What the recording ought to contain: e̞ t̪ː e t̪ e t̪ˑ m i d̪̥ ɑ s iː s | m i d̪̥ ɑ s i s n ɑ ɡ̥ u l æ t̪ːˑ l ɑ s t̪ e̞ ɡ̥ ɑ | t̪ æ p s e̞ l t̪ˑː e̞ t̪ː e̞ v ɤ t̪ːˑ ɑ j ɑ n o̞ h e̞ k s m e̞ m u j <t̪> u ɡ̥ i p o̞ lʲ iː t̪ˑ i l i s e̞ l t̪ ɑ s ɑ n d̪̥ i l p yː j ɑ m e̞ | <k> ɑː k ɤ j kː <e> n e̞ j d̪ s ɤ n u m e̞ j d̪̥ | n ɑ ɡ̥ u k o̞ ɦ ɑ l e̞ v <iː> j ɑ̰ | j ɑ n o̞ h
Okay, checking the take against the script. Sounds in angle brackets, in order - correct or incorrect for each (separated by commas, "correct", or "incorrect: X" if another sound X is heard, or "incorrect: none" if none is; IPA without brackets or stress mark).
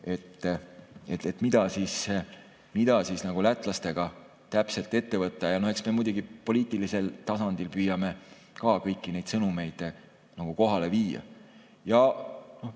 incorrect: d̪, correct, incorrect: i, correct